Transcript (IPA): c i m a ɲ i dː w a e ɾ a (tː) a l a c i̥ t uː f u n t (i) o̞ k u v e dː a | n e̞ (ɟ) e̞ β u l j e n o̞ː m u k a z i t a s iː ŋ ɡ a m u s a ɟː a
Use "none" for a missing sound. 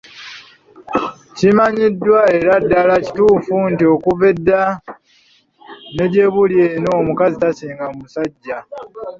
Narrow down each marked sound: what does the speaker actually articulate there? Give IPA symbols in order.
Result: dː, i, ɟ

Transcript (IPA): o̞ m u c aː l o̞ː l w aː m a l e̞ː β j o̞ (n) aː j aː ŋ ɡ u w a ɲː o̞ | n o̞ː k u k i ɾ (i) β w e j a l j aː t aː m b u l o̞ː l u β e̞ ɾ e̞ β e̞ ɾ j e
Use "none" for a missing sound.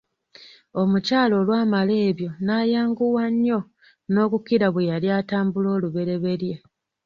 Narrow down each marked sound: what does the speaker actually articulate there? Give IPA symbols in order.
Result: n, a

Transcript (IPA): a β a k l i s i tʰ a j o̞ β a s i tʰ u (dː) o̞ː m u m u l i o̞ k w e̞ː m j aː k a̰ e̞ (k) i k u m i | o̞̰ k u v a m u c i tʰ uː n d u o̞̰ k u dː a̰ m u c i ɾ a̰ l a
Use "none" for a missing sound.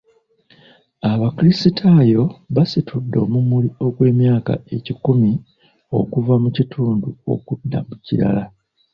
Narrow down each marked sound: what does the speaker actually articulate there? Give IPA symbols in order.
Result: dː, c

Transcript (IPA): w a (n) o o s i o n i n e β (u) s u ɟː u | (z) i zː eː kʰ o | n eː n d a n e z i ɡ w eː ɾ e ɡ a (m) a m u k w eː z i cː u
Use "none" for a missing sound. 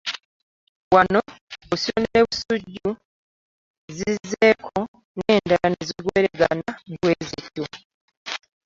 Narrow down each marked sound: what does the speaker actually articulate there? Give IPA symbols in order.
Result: n, u, z, n

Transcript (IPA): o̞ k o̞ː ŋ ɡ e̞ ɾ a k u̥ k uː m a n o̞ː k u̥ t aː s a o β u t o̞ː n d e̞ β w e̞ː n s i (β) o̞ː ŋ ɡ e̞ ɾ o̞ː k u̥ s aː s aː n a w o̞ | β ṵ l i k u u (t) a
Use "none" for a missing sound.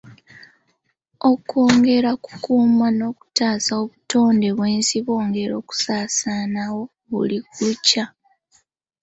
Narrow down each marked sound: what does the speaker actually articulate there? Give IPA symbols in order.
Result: β, c

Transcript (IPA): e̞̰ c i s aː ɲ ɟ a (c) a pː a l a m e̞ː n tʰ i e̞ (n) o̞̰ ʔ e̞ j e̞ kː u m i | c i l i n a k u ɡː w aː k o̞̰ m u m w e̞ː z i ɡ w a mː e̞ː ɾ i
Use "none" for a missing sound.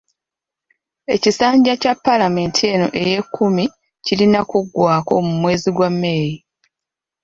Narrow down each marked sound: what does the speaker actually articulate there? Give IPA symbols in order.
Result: c, n

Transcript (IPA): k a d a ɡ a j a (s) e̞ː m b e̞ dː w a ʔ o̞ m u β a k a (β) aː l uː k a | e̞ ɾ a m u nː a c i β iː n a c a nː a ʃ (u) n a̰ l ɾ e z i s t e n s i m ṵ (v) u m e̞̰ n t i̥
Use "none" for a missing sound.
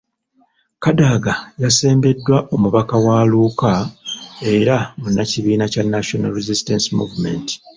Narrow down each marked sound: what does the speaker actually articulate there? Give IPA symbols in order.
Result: s, w, o, v

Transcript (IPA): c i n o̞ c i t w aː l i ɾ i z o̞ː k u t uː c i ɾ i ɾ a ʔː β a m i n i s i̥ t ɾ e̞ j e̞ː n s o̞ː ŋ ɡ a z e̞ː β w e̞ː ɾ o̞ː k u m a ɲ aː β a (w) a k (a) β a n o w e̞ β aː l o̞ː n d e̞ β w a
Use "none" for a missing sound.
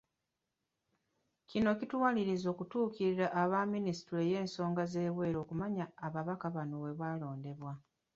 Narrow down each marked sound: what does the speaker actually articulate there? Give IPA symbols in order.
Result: β, a

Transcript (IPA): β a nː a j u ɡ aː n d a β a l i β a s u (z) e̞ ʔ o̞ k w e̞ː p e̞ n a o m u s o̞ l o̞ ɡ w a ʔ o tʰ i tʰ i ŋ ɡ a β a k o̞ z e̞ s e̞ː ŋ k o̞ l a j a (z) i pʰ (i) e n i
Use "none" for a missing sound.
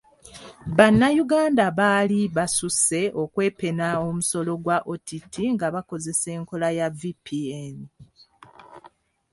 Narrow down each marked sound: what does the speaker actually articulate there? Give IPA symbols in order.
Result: s, v, i

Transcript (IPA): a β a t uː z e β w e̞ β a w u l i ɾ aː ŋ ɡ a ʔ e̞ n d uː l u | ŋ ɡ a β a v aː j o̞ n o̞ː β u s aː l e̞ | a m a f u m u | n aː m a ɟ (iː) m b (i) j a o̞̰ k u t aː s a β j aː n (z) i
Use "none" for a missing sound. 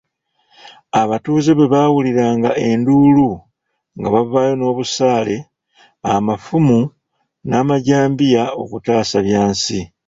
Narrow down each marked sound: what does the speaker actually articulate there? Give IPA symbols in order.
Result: aː, i, s

